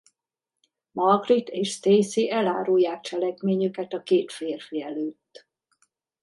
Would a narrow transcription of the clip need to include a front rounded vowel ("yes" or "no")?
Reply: yes